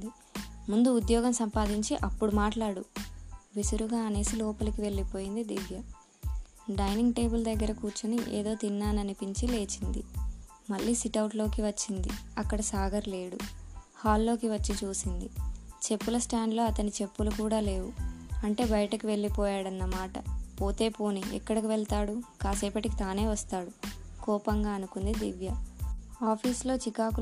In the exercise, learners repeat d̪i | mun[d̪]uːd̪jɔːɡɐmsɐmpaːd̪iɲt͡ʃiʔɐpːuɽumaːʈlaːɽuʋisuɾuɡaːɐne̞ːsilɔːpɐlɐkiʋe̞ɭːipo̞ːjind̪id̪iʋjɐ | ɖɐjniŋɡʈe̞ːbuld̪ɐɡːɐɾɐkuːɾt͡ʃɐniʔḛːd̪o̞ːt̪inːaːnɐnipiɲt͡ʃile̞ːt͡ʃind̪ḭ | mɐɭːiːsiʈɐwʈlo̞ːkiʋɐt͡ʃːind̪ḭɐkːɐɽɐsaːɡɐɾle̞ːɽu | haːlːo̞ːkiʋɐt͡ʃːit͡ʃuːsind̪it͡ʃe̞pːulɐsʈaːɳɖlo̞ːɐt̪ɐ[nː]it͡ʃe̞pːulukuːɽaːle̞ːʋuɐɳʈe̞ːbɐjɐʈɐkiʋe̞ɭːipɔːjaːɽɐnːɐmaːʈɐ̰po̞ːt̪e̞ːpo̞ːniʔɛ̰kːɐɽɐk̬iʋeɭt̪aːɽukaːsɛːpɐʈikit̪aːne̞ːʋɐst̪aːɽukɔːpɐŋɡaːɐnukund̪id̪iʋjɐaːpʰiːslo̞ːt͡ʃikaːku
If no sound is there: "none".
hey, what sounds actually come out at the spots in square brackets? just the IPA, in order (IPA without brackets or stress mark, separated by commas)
d̪, n